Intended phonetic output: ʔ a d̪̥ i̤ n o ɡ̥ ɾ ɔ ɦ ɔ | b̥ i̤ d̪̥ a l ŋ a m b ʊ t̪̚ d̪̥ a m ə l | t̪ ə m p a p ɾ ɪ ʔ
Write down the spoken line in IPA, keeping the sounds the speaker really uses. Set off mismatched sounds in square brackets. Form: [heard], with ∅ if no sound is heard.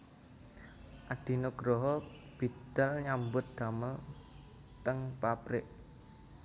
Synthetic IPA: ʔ a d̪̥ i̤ n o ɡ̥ ɾ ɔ ɦ ɔ | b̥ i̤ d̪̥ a l [ɲ] a m b ʊ t̪̚ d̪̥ a m ə l | t̪ ə [ŋ] p a p ɾ ɪ ʔ

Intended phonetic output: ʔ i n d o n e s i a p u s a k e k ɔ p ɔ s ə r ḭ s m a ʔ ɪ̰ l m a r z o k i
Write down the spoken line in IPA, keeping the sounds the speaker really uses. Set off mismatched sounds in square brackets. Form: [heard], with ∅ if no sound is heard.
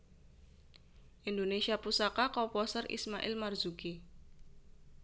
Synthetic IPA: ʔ i n d o n e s i a p u s a k [a] k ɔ p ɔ s ə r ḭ s m a ʔ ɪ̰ l m a r z [u] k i

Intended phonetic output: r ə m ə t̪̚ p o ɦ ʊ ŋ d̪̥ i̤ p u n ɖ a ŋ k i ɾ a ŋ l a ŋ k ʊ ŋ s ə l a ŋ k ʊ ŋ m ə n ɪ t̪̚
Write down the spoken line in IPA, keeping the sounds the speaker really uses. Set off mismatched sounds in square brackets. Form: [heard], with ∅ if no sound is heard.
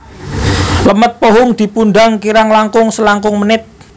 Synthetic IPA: [l] ə m ə t̪̚ p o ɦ ʊ ŋ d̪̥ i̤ p u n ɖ a ŋ k i ɾ a ŋ l a ŋ k ʊ ŋ s ə l a ŋ k ʊ ŋ m ə n ɪ t̪̚

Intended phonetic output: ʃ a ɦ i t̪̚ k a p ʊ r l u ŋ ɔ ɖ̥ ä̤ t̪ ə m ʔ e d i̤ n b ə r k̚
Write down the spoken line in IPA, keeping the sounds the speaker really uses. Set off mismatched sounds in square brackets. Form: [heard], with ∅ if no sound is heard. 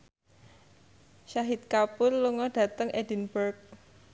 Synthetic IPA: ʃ a ɦ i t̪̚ k a p ʊ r l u ŋ ɔ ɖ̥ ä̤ t̪ ə [ŋ] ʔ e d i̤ n b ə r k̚

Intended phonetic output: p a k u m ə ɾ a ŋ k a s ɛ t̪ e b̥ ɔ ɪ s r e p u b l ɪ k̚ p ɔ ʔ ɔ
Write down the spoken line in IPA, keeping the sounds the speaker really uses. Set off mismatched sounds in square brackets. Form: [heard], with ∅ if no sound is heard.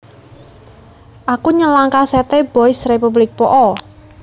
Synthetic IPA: [ʔ] a k u [ɲ] ə [l] a ŋ k a s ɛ t̪ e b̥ ɔ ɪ s r e p u b l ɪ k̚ p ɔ ʔ ɔ

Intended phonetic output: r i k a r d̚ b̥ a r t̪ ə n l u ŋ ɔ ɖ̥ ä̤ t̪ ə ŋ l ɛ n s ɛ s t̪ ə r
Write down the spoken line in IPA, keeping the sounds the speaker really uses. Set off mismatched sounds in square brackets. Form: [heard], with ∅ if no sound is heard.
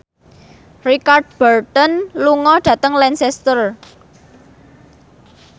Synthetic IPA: r i k a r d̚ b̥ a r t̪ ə n l u ŋ ɔ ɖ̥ ä̤ t̪ ə ŋ l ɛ n s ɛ s t̪ ə r

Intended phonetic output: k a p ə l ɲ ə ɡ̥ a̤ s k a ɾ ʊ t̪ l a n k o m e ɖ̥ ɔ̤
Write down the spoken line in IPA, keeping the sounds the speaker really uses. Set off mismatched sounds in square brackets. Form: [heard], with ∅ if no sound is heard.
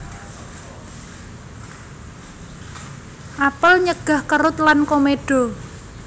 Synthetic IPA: [ʔ] a p ə l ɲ ə ɡ̥ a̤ [h] k [ə] ɾ ʊ t̪ l a n k o m e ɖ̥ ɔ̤

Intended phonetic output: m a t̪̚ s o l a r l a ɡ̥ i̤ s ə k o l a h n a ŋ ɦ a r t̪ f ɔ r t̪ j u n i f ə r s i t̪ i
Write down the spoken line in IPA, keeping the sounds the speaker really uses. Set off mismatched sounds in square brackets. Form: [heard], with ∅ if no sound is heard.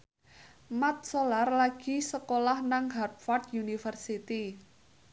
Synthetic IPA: m a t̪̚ s o l a r l a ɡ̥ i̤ s ə k o l a h n a ŋ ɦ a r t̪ f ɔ r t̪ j u n i f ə r s i t̪ i

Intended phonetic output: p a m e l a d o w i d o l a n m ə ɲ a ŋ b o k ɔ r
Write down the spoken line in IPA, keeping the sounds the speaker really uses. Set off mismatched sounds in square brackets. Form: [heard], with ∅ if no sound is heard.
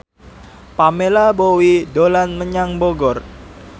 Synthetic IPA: p a m e l a [b] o w i d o l a n m ə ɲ a ŋ b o [ɡ] ɔ r

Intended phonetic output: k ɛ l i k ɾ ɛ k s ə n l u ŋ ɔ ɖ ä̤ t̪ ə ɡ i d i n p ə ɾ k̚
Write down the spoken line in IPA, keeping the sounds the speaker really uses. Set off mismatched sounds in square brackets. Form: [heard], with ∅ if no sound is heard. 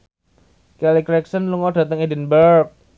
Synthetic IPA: k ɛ l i k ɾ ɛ k s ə n l u ŋ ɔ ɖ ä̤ t̪ ə [ŋ] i d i n [b] ə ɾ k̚

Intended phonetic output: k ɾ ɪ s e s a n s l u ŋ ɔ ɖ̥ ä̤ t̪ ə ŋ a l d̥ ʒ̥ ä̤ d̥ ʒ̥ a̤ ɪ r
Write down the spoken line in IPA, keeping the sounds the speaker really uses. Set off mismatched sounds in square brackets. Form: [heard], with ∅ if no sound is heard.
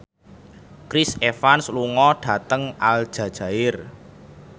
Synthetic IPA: k ɾ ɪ s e [f] a n s l u ŋ ɔ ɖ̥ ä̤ t̪ ə ŋ a l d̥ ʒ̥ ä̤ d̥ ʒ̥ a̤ ɪ r

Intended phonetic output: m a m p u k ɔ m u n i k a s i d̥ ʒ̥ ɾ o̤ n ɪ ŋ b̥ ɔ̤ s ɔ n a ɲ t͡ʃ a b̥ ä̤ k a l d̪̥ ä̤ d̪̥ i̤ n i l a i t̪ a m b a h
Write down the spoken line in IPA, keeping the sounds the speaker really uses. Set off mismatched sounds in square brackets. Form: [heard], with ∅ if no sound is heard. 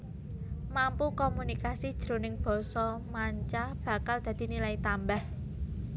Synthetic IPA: m a m p u k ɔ m u n i k a s i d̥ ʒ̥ ɾ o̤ n ɪ ŋ b̥ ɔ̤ s ɔ [m] a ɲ t͡ʃ a b̥ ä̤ k a l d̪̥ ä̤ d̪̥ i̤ n i l a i t̪ a m b a h

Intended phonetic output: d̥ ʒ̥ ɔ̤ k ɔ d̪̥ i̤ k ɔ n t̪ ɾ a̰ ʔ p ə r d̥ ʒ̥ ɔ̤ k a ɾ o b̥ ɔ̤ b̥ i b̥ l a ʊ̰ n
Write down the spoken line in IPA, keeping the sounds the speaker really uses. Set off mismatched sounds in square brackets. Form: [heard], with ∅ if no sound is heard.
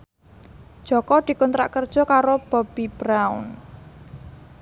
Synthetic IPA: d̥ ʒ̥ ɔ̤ k ɔ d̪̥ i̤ k ɔ n t̪ ɾ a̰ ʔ [k] ə r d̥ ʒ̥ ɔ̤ k a ɾ o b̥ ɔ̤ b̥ i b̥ [ɾ] a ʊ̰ n

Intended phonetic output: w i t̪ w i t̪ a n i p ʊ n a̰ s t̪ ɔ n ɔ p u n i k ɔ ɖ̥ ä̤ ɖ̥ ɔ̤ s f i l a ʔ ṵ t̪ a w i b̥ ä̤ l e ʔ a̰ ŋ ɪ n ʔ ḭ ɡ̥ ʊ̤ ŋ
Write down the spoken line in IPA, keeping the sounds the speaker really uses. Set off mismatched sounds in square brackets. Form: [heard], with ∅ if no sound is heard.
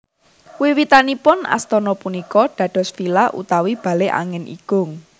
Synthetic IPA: w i [∅] w i t̪ a n i p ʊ n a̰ s t̪ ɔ n ɔ p u n i k ɔ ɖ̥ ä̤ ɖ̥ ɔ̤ s f i l a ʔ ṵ t̪ a w i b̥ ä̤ l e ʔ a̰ ŋ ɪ n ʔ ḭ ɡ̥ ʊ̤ ŋ

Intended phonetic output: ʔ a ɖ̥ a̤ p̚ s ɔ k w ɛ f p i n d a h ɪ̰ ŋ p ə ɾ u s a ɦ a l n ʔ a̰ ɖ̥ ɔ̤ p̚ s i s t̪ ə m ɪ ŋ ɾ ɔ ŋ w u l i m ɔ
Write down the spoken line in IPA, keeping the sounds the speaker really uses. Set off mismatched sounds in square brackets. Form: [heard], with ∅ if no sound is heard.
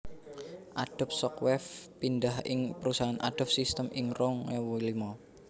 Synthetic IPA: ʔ a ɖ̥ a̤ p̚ s ɔ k w ɛ f p i n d a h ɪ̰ ŋ p ə ɾ u s a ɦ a [∅] n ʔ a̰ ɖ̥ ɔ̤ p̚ s i s t̪ ə m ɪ ŋ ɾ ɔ ŋ w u l i m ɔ

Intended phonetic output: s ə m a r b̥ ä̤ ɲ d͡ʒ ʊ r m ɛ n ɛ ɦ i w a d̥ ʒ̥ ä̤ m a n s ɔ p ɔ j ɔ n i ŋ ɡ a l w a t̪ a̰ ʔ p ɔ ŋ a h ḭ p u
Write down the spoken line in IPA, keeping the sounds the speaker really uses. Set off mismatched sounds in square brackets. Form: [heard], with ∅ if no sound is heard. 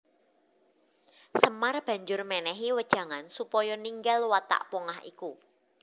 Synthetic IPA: s ə m a r b̥ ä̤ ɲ d͡ʒ ʊ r m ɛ n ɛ ɦ i w [ə] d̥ ʒ̥ ä̤ [ŋ] a n s [u] p ɔ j ɔ n i ŋ ɡ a l w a t̪ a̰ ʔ p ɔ ŋ a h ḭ [k] u

